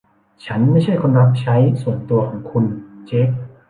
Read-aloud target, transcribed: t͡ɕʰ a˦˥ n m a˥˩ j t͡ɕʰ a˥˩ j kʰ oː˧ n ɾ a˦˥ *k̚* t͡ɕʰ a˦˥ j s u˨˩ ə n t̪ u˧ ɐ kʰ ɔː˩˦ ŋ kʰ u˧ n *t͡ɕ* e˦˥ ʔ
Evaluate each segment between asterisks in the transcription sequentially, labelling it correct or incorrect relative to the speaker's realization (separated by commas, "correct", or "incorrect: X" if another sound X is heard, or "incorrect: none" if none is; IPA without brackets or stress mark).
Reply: incorrect: p̚, correct